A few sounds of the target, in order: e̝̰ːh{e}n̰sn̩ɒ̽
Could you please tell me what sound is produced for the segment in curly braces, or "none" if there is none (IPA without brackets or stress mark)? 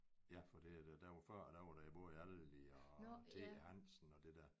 æ